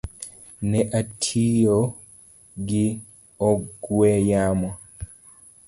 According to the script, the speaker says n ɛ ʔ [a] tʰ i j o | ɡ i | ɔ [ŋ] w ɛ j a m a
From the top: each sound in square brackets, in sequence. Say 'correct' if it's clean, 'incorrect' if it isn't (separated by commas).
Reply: correct, incorrect